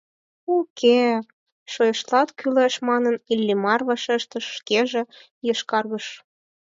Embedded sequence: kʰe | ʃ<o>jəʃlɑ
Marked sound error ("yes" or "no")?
no